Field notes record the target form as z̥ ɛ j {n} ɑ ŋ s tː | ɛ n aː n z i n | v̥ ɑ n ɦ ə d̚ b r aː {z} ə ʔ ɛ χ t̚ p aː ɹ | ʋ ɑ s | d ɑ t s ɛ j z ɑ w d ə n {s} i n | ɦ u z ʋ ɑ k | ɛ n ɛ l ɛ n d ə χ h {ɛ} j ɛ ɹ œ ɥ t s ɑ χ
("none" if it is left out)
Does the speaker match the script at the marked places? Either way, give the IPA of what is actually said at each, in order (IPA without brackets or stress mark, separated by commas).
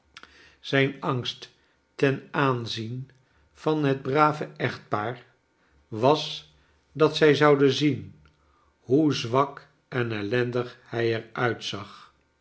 n, v, z, ɛ